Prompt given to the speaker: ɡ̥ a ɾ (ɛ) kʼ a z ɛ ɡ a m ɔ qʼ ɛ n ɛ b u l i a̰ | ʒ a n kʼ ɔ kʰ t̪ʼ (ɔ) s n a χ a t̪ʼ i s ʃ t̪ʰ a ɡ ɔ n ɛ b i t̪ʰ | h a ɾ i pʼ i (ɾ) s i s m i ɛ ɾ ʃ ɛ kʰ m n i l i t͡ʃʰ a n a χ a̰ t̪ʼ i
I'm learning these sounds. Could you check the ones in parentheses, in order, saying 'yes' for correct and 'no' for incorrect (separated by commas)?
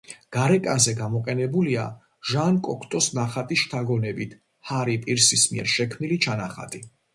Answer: yes, yes, yes